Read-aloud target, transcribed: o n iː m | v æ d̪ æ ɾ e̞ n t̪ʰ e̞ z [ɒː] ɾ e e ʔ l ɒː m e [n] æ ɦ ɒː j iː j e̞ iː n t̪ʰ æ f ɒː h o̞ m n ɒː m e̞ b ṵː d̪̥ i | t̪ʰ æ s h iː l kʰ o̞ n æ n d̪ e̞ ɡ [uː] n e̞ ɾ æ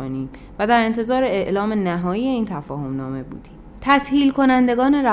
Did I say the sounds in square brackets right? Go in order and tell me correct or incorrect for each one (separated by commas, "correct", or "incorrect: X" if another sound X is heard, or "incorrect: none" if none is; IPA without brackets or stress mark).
correct, correct, incorrect: ɒː